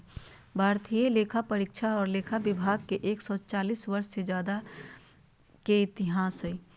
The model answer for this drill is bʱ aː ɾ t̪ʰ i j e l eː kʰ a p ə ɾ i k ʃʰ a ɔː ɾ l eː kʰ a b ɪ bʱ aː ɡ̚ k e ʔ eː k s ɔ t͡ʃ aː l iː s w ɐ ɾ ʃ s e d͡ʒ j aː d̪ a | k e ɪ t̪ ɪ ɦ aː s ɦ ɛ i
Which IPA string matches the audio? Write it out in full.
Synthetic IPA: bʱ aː ɾ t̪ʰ i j e l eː kʰ a p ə ɾ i k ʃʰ a ɔː ɾ l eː kʰ a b ɪ bʱ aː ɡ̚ k e ʔ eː k s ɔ t͡ʃ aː l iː s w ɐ ɾ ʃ s e d͡ʒ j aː d̪ a | k e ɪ t̪ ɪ ɦ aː s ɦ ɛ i